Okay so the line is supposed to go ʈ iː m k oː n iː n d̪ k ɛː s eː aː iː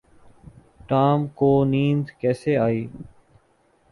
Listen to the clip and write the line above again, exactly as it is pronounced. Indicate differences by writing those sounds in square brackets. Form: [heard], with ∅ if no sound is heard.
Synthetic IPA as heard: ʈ [aː] m k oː n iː n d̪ k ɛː s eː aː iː